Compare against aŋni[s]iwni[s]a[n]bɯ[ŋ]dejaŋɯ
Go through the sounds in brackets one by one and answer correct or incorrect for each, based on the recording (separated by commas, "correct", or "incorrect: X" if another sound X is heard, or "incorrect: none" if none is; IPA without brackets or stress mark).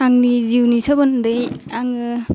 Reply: incorrect: z, correct, incorrect: none, incorrect: n